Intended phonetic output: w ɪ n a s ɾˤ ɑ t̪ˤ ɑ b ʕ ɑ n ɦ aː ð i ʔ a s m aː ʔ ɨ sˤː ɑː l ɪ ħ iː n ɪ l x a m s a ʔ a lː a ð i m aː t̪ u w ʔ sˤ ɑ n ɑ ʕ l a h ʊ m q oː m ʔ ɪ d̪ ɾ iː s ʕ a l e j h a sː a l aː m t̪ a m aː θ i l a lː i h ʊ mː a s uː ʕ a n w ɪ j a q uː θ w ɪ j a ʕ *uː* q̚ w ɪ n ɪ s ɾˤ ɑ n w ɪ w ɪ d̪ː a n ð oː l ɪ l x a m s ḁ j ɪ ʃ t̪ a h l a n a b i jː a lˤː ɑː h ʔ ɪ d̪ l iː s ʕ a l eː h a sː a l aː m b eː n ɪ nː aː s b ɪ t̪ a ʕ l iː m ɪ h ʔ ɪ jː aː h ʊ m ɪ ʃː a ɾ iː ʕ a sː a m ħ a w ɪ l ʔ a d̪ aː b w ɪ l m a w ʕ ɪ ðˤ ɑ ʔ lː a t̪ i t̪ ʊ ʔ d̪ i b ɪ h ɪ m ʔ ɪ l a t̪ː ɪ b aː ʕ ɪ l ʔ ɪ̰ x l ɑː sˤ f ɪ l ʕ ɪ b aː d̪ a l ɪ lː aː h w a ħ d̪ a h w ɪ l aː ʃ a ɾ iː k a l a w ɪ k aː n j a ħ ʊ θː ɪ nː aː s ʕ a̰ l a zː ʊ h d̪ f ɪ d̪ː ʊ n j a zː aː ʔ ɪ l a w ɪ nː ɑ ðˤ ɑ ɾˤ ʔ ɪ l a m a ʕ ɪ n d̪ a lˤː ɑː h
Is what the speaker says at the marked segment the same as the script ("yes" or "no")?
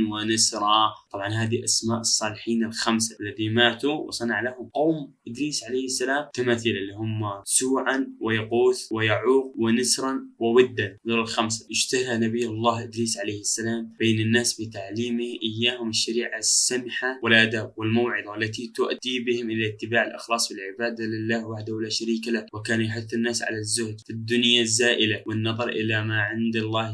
yes